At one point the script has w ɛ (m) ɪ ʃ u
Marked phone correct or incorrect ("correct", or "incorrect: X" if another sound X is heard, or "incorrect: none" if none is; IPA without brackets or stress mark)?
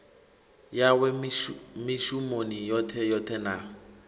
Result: correct